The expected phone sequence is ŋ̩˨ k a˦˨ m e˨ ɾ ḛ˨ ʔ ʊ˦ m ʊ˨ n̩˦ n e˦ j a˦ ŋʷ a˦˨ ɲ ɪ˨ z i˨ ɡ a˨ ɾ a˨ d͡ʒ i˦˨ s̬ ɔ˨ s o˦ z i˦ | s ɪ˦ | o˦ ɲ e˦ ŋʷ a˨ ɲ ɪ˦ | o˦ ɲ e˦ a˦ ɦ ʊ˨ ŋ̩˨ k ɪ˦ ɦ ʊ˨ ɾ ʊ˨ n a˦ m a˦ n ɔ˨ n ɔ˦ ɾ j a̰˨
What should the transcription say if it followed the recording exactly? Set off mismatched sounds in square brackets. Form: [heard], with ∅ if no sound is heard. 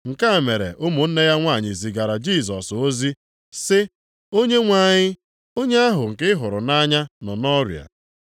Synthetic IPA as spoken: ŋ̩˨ k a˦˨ m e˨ ɾ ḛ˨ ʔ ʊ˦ m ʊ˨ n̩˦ n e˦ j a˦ ŋʷ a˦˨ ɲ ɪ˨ z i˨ ɡ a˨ ɾ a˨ d͡ʒ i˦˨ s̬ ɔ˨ s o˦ z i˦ | s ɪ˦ | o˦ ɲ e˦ ŋʷ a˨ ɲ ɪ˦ | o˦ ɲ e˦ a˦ ɦ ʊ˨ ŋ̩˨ k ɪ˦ ɦ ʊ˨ ɾ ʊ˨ n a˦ [ɲ] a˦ n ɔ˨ n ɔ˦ ɾ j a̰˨